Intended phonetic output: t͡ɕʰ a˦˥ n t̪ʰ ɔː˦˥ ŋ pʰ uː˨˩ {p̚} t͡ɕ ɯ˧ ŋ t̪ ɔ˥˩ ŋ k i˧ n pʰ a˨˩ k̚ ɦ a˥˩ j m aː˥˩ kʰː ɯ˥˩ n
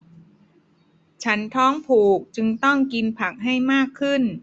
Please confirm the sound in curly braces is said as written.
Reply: no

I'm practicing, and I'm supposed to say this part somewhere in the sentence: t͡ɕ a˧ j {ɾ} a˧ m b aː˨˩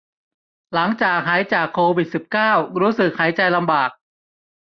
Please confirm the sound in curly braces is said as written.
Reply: no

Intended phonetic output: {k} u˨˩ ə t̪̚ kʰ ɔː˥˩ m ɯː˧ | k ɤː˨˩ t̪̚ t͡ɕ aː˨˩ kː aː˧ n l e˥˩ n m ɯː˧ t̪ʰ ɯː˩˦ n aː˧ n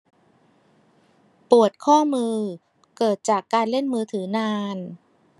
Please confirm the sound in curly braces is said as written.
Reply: no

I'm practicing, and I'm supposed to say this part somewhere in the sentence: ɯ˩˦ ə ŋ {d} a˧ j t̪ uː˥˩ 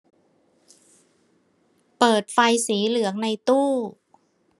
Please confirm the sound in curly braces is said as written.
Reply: no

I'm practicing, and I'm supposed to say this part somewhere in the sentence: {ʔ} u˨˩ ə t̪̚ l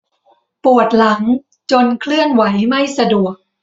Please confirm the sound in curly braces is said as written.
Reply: no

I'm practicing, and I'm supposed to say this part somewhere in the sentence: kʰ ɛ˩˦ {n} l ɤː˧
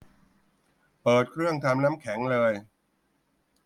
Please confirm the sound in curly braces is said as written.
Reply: no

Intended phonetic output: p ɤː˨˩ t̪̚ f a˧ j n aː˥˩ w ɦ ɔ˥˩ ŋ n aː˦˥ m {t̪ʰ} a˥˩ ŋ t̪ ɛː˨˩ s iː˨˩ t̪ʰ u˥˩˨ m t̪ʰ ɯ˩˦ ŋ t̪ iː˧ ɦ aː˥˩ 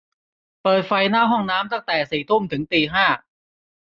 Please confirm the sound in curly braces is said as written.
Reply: no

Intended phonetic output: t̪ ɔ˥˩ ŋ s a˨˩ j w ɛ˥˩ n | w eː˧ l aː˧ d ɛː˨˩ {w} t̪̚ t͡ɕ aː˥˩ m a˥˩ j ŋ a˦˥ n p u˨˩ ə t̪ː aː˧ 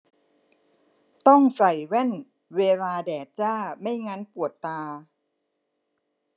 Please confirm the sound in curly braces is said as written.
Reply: no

